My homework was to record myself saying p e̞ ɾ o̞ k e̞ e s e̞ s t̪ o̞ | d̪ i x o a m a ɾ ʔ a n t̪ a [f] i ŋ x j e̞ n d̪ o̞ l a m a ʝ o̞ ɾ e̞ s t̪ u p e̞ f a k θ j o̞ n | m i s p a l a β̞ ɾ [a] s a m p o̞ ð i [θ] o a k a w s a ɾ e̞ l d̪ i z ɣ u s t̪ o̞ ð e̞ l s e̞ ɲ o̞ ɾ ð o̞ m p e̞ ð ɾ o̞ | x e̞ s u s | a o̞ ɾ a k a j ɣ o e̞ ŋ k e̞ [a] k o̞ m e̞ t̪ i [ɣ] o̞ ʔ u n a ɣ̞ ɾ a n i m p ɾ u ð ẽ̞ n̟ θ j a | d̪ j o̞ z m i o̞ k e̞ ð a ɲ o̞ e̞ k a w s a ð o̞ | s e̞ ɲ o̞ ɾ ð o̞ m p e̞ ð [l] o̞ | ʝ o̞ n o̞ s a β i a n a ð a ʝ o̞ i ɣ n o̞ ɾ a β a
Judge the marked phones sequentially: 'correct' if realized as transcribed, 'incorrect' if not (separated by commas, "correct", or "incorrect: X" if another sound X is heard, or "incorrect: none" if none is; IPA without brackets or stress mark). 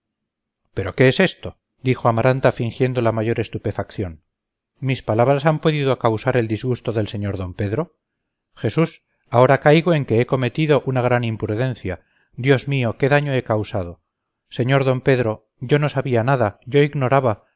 correct, correct, incorrect: ð, incorrect: e, incorrect: ð, incorrect: ɾ